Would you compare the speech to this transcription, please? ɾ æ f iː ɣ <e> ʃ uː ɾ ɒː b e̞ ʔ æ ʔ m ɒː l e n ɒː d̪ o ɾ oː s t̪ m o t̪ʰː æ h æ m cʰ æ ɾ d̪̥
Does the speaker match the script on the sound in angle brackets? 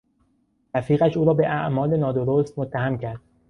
no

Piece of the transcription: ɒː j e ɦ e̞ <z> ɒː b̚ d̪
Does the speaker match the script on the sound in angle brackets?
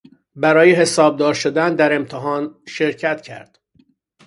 no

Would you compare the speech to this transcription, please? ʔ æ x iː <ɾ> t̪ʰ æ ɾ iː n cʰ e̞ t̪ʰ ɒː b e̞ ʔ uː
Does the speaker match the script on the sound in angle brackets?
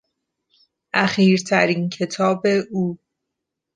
yes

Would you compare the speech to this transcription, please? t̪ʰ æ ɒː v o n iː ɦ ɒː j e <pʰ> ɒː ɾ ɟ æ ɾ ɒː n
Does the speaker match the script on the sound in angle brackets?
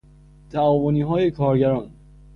no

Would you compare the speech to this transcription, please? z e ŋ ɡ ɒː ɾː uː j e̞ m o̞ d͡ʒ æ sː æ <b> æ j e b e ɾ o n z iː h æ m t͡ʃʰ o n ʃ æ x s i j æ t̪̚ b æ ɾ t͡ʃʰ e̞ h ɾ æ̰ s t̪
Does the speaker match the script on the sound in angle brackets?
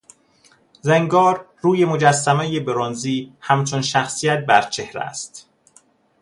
no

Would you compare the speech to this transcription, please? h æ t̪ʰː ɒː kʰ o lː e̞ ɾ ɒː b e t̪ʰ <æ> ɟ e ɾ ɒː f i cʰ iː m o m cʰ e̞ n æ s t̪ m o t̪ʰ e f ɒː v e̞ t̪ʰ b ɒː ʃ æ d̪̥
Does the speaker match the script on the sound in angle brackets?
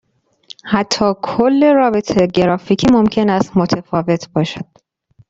no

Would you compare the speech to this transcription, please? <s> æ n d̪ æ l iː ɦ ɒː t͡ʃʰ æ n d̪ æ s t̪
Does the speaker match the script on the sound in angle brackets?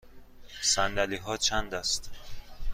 yes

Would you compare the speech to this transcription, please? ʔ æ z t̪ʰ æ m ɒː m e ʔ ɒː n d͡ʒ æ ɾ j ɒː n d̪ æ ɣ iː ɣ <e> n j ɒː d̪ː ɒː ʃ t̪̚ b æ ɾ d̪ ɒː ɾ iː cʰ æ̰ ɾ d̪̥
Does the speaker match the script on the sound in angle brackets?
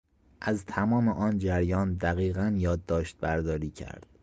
no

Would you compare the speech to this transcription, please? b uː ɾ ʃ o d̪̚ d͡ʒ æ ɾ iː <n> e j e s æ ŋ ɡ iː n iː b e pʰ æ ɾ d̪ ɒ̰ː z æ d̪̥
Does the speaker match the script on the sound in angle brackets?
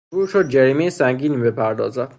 no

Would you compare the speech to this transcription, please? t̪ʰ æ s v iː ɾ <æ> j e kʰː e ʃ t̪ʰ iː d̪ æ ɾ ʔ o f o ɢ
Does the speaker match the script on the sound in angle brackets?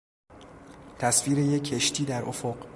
no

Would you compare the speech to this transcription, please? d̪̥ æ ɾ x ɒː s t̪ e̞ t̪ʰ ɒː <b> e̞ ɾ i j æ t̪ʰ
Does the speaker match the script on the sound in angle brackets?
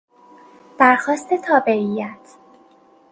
yes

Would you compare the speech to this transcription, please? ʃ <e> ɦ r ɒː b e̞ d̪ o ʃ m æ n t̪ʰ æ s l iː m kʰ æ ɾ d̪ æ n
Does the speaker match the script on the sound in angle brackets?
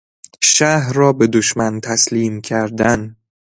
no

